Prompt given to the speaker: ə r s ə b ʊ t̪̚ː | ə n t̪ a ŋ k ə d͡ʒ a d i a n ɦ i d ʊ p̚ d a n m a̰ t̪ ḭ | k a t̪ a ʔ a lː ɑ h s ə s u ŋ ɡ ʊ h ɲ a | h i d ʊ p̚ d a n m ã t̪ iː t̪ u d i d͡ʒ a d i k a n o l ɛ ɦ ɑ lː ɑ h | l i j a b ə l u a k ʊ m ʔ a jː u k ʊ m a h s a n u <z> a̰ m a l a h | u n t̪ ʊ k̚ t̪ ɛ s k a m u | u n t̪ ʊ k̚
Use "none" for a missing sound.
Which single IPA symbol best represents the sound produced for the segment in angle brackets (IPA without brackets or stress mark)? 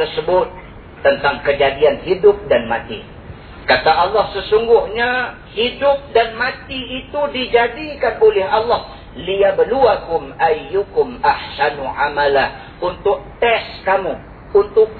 ʕ